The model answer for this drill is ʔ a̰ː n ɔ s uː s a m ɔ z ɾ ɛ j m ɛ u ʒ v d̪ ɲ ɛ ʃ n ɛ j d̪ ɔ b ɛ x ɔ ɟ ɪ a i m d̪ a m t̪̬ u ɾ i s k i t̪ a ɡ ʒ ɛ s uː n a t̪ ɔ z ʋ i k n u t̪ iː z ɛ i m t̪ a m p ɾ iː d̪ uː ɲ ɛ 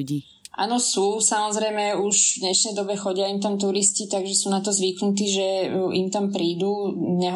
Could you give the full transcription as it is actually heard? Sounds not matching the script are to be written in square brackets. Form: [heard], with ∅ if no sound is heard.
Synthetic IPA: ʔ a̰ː n ɔ s uː s a m ɔ z ɾ ɛ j m ɛ u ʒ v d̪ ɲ ɛ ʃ n ɛ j d̪ ɔ b ɛ x ɔ ɟ ɪ a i m [t̪] a m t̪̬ u ɾ i s [c] i t̪ a ɡ ʒ ɛ s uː n a t̪ ɔ z ʋ i k n u t̪ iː [ʒ] ɛ i m t̪ a m p ɾ iː d̪ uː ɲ ɛ